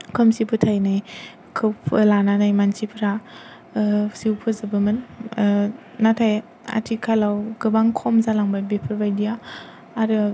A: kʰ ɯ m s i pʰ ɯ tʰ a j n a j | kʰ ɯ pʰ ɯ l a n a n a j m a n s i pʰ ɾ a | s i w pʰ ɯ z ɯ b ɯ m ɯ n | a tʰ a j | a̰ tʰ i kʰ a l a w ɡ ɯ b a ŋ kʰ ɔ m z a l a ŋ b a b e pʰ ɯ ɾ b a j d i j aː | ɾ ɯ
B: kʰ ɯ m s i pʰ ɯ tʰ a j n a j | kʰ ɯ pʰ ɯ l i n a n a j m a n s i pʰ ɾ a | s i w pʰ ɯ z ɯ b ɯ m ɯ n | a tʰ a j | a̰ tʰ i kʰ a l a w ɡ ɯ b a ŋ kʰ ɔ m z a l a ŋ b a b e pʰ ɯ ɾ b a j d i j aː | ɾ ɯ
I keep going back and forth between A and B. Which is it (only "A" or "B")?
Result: A